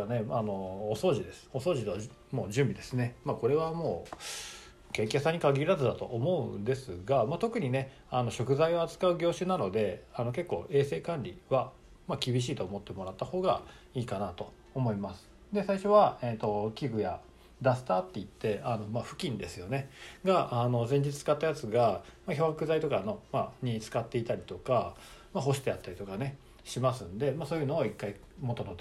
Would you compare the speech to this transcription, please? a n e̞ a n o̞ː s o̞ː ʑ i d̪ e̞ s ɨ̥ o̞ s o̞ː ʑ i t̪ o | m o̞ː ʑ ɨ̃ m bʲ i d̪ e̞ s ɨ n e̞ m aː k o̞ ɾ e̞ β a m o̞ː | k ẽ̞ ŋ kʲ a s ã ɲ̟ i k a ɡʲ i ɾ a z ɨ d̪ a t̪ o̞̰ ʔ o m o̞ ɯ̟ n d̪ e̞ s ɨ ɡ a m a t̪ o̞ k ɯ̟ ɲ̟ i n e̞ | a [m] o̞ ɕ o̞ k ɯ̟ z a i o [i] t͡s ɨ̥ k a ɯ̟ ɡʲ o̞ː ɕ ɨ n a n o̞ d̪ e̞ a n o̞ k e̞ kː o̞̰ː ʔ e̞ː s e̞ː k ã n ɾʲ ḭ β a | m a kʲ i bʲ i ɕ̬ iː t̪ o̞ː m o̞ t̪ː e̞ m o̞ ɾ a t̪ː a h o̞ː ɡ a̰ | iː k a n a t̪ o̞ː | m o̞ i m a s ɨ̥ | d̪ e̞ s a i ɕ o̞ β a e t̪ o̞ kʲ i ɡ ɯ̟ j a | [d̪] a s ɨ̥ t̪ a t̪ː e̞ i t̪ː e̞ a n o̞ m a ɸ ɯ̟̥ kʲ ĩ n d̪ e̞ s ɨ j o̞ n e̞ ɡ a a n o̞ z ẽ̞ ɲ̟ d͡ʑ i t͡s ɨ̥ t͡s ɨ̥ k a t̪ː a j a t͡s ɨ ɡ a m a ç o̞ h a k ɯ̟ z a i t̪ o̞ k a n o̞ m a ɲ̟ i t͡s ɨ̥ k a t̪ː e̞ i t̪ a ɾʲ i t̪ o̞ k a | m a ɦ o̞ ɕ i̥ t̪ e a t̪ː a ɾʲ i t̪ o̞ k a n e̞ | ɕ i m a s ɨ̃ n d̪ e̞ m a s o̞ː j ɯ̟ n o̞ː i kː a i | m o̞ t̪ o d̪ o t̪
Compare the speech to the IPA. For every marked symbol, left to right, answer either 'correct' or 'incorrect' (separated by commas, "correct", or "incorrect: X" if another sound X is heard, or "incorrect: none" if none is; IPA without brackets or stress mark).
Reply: incorrect: n, incorrect: a, correct